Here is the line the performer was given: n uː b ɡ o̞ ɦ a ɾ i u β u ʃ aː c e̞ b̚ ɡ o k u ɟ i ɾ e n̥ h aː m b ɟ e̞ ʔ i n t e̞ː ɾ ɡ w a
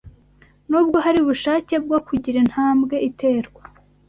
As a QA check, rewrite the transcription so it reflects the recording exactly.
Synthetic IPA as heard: n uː b ɡ o̞ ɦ a ɾ i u β u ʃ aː c e̞ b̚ ɡ o k u ɟ i ɾ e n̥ h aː m b ɡ e̞ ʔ i t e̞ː ɾ ɡ w a